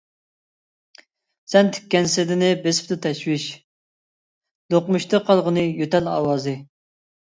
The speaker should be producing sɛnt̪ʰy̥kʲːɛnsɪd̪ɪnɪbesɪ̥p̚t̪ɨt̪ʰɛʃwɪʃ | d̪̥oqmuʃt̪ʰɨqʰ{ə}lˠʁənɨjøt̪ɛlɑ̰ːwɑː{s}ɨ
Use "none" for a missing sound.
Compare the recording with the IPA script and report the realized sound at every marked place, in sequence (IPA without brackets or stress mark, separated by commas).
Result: ɑ, z